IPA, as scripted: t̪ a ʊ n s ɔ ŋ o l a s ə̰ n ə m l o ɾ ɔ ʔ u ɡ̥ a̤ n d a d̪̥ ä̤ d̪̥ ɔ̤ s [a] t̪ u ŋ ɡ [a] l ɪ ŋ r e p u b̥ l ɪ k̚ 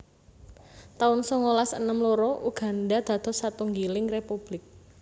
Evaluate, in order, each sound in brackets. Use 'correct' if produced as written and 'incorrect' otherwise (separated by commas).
correct, incorrect